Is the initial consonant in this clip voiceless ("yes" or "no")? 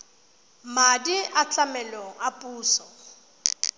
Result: no